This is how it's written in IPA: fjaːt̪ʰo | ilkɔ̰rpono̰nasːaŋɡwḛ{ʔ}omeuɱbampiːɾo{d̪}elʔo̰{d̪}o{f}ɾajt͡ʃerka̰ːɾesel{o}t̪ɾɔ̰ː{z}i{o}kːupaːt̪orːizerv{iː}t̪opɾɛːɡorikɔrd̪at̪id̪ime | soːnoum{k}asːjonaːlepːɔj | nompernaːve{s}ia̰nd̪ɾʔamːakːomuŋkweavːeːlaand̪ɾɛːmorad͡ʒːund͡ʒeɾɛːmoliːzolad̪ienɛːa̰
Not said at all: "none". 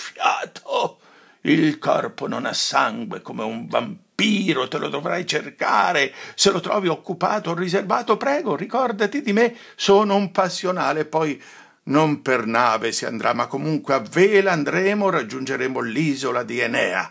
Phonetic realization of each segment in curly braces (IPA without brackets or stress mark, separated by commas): k, t̪, d̪, v, o, v, o, aː, p, s